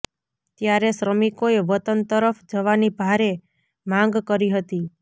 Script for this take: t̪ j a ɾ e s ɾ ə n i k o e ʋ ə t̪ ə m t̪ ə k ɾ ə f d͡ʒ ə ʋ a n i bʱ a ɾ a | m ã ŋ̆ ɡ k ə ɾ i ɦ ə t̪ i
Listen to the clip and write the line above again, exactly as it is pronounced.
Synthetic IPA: t̪ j a ɾ e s ɾ ə m i k o e ʋ ə t̪ ə n t̪ ə ɾ ə f d͡ʒ ə ʋ a n i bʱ a ɾ e | m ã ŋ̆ ɡ k ə ɾ i ɦ ə t̪ i

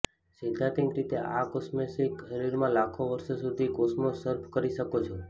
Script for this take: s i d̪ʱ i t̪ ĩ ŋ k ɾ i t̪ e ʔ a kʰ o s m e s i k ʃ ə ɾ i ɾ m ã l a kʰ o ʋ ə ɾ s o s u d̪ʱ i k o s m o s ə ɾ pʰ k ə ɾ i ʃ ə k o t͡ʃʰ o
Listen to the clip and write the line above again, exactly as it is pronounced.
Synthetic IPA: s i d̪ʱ a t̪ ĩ ŋ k ɾ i t̪ e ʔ a k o s m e s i k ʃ ə ɾ i ɾ m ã l a kʰ o ʋ ə ɾ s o s u d̪ʱ i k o s m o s ə ɾ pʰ k ə ɾ i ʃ ə k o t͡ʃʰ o

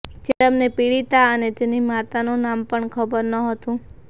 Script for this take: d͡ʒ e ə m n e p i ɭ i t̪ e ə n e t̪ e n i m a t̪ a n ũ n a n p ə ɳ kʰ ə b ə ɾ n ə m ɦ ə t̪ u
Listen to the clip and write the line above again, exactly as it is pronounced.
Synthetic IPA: d͡ʒ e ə m n e p i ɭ i t̪ a ə n e t̪ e n i m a t̪ a n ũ n a m p ə ɳ kʰ ə b ə ɾ n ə ɦ ə t̪ ũ

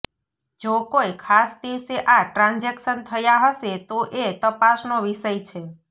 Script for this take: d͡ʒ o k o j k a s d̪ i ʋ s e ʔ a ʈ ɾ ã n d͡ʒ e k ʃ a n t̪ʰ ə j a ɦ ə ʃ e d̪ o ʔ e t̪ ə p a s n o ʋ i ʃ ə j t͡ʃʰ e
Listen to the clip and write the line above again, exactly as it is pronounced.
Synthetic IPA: d͡ʒ o k o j kʰ a s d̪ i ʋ s e ʔ a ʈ ɾ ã n d͡ʒ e k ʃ ə n t̪ʰ ə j a ɦ ə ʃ e t̪ o ʔ e t̪ ə p a s n o ʋ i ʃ ə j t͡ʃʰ e

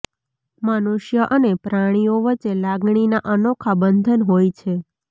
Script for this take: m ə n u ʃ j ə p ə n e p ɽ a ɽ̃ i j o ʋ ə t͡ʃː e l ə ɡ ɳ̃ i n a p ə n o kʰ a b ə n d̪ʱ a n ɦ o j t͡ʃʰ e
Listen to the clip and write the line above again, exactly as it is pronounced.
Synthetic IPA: m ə n u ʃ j ə ʔ ə n e p ɾ a ɽ̃ i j o ʋ ə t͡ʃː e l a ɡ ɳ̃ i n a ʔ ə n o kʰ a b ə n d̪ʱ ə n ɦ o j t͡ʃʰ e

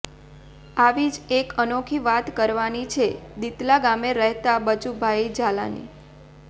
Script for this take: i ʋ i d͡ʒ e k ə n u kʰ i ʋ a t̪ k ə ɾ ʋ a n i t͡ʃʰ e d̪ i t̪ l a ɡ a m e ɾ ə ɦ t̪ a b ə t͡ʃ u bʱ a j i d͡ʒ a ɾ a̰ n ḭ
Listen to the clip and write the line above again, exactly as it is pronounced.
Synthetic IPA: a ʋ i d͡ʒ e k ə n o kʰ i ʋ a t̪ k ə ɾ ʋ a n i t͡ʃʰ e d̪ i t̪ l a ɡ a m e ɾ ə ɦ t̪ a b ə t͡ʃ u bʱ a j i d͡ʒ a l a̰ n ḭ

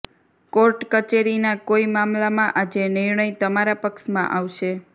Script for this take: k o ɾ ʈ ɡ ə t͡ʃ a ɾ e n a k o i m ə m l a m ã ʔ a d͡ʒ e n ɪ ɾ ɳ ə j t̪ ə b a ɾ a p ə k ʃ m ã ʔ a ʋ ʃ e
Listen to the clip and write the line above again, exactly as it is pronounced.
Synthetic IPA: k o ɾ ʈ k ə t͡ʃ e ɾ i n a k o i m a m l a m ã ʔ a d͡ʒ e n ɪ ɾ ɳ ə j t̪ ə m a ɾ a p ə k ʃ m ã ʔ a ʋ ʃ e

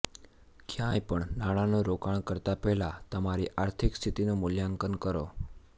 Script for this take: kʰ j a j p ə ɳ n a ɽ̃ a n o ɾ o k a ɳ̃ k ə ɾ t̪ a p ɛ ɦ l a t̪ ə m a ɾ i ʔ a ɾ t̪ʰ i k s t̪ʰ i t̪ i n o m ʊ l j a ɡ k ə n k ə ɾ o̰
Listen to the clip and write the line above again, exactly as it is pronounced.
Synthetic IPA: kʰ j a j p ə ɳ n a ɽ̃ a n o ɾ o k a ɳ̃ k ə ɾ t̪ a p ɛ ɦ l a t̪ ə m a ɾ i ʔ a ɾ t̪ʰ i k s t̪ʰ i t̪ i n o m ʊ l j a ŋ k ə n k ə ɾ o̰

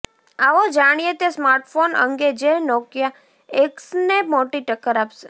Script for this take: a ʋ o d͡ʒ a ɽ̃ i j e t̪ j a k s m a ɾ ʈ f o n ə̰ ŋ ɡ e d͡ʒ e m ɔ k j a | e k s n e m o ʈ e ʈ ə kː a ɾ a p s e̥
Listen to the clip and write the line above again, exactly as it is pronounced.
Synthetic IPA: a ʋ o d͡ʒ a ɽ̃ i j e t̪ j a s m a ɾ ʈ f o n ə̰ ŋ ɡ e d͡ʒ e n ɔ k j a | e k s n e m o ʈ i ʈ ə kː ə ɾ a p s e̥

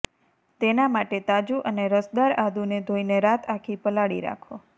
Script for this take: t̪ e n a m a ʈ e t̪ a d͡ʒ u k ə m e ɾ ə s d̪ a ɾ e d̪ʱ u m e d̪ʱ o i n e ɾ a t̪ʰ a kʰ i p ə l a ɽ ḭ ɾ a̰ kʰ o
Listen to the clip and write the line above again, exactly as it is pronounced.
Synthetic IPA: t̪ e n a m a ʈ e t̪ a d͡ʒ u ʔ ə n e ɾ ə s d̪ a ɾ a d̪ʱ u n e d̪ʱ o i n e ɾ a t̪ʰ a kʰ i p ə l a ɽ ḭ ɾ a̰ kʰ o

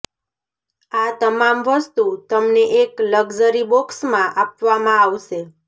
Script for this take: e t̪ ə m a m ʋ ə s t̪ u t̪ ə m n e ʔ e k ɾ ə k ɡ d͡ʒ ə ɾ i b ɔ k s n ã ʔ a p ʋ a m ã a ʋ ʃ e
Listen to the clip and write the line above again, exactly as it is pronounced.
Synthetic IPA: a t̪ ə m a m ʋ ə s t̪ u t̪ ə m n e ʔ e k l ə ɡ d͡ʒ ə ɾ i b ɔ k s m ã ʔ a p ʋ a m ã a ʋ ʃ e

